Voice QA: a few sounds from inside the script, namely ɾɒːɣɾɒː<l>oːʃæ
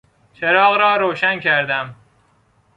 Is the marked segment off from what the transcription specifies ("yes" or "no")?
yes